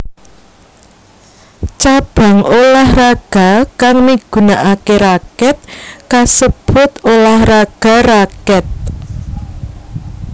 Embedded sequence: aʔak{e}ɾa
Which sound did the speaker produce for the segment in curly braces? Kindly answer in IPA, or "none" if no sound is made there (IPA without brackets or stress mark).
e